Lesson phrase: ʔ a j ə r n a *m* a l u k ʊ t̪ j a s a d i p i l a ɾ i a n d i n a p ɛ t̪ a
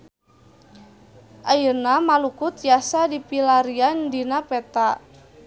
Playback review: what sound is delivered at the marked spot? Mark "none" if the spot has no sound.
m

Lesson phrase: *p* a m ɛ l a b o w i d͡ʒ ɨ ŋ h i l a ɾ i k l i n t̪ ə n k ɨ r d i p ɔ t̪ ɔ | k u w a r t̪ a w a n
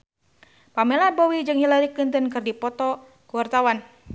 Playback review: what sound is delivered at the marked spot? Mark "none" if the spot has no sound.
p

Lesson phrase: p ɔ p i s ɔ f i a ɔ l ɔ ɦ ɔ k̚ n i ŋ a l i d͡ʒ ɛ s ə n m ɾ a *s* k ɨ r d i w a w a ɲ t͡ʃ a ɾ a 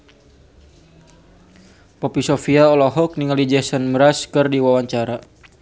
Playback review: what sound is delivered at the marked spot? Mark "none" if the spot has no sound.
s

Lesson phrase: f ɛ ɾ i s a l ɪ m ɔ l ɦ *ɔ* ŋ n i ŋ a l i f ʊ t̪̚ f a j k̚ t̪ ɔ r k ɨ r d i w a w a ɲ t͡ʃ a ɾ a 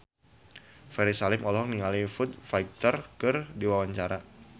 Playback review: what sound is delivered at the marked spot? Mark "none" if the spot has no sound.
ɔ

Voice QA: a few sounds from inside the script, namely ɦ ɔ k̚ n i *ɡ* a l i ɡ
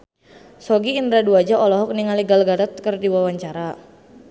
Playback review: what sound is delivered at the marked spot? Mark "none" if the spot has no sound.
ŋ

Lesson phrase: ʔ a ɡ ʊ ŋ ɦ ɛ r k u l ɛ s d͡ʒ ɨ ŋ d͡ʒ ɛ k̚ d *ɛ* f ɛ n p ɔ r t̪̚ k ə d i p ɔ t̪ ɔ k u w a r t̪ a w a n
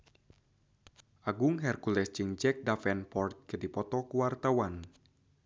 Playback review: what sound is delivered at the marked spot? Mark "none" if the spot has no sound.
a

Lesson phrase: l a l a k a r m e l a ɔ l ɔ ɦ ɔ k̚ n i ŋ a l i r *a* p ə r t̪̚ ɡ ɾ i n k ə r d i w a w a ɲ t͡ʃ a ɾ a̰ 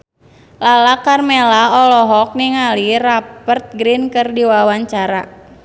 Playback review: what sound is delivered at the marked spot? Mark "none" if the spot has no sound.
a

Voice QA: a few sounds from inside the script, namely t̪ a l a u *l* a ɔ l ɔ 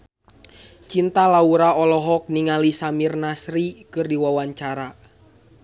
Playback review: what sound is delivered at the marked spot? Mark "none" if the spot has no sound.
ɾ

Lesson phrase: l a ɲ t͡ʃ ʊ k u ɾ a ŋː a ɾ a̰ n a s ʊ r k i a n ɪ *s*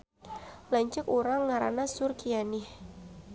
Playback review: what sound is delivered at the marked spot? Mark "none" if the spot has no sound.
h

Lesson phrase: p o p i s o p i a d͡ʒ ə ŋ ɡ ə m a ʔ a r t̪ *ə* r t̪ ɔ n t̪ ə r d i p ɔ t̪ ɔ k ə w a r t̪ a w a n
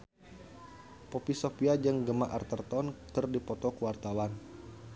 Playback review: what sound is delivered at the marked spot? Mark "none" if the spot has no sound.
ə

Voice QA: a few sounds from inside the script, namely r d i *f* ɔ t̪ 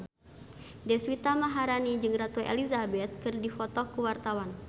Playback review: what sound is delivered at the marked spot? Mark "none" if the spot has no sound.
f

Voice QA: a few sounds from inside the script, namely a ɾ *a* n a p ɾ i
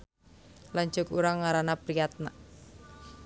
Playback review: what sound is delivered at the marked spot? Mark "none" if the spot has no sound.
a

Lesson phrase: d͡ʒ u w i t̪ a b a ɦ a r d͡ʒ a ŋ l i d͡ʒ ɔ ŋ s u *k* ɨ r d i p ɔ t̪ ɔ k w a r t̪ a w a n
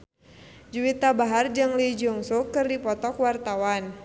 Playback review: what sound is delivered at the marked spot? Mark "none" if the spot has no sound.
k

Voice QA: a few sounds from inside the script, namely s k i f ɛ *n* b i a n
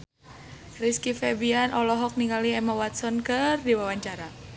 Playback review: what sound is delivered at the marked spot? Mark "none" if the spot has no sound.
none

